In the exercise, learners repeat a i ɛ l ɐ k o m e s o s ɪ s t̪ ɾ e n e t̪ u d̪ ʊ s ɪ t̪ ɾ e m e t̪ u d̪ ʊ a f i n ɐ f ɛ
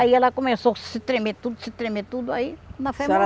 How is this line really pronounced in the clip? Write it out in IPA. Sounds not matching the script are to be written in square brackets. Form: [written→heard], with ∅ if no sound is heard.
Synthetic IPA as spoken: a i ɛ l ɐ k o m e s o s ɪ [s→∅] t̪ ɾ e [n→m] e t̪ u d̪ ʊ s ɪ t̪ ɾ e m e t̪ u d̪ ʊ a [f→∅] i n ɐ f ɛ